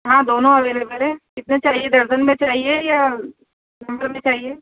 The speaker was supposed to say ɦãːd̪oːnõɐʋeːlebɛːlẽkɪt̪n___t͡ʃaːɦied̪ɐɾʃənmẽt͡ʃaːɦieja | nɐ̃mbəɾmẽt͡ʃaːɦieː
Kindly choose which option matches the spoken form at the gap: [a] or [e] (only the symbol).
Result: e